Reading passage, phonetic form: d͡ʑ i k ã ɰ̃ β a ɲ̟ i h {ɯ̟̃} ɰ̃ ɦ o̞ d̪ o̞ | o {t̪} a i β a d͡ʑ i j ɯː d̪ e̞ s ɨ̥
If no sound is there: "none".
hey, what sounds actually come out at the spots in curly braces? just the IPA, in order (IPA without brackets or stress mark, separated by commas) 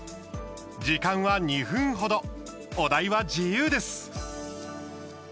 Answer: ɯ̟̃, d̪